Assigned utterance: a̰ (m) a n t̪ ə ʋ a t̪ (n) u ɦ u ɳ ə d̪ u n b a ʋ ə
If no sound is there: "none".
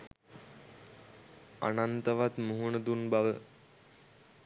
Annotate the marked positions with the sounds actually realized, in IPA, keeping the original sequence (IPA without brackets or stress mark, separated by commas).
n, m